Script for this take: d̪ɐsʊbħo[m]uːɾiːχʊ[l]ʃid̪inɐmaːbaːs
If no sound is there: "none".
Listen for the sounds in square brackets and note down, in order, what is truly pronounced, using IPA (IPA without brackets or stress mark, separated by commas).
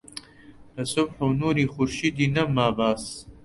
n, ɾ